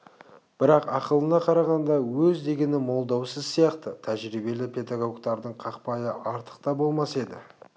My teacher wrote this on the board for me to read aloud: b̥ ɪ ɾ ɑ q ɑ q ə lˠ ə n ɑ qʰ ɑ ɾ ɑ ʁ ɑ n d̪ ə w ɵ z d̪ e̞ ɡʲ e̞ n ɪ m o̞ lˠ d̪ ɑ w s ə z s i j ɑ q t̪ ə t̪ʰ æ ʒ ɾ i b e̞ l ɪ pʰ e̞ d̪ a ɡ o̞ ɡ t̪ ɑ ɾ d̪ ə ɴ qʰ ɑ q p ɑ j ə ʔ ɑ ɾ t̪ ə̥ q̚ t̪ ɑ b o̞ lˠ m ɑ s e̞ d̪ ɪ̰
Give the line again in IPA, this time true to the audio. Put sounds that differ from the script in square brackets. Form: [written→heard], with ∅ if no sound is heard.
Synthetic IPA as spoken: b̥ ɪ ɾ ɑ q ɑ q ə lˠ ə n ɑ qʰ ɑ ɾ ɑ ʁ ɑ n d̪ [ə→ɑ] w ɵ z d̪ e̞ ɡʲ e̞ n ɪ m o̞ lˠ d̪ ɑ w s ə z s i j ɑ q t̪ ə t̪ʰ æ ʒ ɾ i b e̞ l ɪ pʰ e̞ d̪ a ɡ o̞ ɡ t̪ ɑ ɾ d̪ ə ɴ qʰ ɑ q p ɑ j ə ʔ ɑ ɾ t̪ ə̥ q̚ t̪ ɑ b o̞ lˠ m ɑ s e̞ d̪ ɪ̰